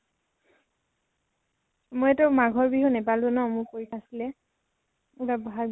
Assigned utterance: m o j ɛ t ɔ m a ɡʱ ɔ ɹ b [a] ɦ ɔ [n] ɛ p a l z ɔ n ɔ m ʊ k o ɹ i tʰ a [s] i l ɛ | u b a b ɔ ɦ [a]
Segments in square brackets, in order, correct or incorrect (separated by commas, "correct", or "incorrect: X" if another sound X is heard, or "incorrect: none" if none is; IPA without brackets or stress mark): incorrect: i, correct, correct, correct